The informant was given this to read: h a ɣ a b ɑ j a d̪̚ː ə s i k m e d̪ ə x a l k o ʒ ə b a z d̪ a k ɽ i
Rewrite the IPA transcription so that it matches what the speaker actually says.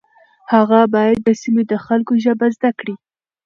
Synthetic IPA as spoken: h a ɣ a b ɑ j a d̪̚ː ə s i m e d̪ ə x a l k o ʒ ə b a z d̪ a k ɽ i